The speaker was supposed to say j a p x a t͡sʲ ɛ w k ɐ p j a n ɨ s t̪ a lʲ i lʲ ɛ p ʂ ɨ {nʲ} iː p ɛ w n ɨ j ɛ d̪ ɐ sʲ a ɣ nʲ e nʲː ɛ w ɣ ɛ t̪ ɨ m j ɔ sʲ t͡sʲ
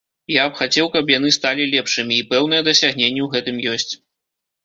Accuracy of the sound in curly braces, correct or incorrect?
incorrect